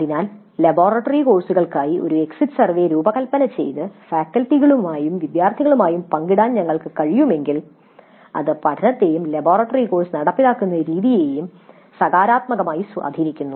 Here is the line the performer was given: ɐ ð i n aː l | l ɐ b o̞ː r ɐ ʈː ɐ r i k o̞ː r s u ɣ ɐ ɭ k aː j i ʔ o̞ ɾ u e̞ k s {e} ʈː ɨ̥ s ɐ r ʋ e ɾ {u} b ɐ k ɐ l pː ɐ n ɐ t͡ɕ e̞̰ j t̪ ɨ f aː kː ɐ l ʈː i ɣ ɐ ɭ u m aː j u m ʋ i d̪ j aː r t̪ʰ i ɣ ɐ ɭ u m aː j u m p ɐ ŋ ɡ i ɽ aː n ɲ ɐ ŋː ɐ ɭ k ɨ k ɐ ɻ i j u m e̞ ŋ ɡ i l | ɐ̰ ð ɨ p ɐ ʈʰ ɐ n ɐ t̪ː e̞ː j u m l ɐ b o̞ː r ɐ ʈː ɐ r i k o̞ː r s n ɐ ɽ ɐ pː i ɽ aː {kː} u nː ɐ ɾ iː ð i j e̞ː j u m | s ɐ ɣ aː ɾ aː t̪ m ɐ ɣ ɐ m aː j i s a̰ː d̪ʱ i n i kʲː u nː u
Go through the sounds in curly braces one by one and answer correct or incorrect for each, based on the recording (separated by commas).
incorrect, incorrect, correct